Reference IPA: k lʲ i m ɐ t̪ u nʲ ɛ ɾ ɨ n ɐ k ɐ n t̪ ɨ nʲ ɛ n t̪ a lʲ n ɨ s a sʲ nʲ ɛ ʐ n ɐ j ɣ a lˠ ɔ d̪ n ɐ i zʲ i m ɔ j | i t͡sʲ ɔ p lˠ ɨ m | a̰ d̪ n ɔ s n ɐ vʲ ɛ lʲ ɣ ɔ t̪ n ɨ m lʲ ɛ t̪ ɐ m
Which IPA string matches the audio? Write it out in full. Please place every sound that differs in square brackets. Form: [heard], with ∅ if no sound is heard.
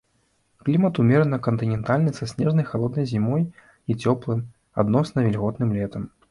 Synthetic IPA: k lʲ i m ɐ t̪ u [mʲ] ɛ ɾ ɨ n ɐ k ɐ n t̪ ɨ nʲ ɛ n t̪ a lʲ n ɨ s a sʲ nʲ ɛ ʐ n ɐ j [x] a lˠ ɔ d̪ n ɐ [j] zʲ i m ɔ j | i t͡sʲ ɔ p lˠ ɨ m | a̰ d̪ n ɔ s n ɐ vʲ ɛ lʲ ɣ ɔ t̪ n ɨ m lʲ ɛ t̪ ɐ m